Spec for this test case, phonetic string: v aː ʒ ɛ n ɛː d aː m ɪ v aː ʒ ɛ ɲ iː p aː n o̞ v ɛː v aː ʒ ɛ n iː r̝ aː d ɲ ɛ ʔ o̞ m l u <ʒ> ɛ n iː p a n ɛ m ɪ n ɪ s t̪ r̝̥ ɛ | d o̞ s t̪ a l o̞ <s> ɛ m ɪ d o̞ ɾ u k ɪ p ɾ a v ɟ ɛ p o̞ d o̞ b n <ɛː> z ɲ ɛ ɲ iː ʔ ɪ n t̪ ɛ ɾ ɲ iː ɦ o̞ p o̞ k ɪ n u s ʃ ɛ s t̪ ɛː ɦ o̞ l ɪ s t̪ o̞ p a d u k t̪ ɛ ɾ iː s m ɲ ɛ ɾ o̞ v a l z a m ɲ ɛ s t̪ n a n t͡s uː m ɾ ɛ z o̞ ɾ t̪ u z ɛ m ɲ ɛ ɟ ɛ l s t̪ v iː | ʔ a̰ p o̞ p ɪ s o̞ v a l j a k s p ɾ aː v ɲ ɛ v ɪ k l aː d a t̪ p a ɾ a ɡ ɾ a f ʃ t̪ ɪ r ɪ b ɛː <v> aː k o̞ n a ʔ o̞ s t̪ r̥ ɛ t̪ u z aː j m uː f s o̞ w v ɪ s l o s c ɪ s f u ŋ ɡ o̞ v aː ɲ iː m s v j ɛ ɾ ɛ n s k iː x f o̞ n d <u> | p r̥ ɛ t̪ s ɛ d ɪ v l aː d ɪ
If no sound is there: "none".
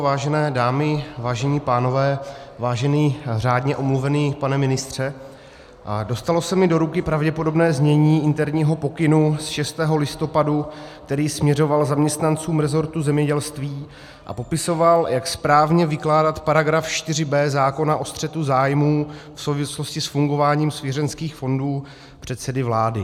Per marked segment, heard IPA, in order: v, s, ɛː, z, uː

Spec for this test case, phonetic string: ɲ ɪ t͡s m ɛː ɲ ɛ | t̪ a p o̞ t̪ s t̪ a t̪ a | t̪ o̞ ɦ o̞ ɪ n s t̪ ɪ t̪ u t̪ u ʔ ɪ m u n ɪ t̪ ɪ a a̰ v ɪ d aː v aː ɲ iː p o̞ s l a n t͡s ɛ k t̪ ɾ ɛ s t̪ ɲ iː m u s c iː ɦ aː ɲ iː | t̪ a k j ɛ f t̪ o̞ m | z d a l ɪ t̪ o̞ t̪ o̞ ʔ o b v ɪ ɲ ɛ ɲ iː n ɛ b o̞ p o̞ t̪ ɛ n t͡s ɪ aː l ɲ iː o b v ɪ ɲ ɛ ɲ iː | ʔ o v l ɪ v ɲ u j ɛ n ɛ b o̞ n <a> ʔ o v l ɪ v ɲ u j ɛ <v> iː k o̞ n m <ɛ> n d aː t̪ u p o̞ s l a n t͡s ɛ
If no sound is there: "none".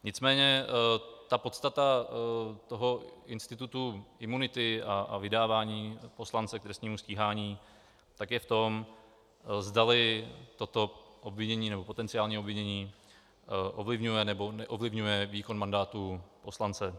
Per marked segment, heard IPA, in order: ɛ, v, a

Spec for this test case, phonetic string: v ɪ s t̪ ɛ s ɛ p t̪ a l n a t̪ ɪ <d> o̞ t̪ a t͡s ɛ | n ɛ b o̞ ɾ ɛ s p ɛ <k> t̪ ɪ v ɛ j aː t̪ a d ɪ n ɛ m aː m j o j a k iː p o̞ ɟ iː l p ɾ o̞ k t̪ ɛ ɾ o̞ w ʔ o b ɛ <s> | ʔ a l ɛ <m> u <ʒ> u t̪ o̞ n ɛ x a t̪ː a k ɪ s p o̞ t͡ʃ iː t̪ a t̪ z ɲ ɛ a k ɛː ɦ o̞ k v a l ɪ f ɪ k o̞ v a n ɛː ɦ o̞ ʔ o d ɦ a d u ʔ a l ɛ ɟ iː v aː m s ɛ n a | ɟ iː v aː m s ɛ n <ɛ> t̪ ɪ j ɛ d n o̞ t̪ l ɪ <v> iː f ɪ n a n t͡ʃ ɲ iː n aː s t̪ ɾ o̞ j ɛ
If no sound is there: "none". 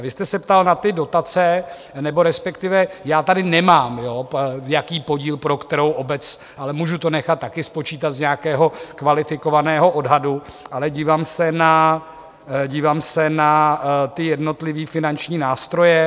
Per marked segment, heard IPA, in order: d, k, t͡s, m, ʒ, a, v

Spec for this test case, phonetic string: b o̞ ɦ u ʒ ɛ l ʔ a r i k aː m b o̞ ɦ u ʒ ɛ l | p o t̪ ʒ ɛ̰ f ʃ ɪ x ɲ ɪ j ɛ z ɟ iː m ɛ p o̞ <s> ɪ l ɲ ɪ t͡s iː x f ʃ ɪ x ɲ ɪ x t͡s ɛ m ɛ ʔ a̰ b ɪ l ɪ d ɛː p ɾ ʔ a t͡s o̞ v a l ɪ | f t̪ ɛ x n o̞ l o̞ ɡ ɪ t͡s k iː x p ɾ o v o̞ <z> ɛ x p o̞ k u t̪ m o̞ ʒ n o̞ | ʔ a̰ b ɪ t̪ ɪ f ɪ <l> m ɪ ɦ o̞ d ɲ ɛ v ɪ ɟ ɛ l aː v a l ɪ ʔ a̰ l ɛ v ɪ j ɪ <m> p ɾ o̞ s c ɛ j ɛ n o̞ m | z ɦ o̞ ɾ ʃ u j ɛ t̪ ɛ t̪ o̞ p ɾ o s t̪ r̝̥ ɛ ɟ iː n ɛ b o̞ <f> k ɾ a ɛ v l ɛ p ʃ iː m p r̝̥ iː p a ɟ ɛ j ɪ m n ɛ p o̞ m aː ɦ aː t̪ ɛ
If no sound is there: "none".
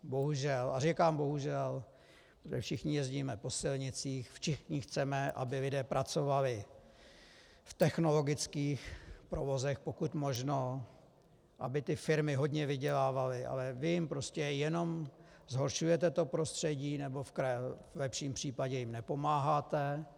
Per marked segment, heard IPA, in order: s, z, ɾ, m, f

